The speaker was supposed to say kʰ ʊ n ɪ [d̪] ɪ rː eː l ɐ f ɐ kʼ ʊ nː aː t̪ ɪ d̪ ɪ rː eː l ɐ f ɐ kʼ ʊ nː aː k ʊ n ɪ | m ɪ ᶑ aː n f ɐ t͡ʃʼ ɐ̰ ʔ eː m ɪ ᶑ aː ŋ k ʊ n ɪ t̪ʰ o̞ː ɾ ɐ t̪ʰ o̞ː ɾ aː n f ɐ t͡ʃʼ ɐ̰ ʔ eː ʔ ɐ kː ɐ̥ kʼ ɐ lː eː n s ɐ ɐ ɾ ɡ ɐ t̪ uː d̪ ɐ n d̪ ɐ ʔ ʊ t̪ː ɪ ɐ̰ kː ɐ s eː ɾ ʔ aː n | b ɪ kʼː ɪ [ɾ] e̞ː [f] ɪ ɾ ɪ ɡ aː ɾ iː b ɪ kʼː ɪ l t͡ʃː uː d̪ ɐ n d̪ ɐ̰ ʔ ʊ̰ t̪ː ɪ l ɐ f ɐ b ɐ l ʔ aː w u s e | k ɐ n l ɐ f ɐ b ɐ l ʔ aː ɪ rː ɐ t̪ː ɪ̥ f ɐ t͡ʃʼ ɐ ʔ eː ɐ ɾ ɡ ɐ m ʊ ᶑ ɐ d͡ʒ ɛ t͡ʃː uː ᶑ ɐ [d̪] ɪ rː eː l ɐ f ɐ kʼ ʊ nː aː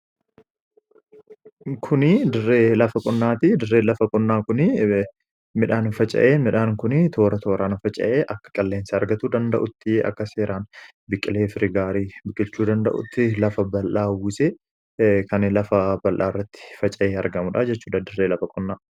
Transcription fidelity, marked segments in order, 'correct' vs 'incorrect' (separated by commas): correct, incorrect, correct, correct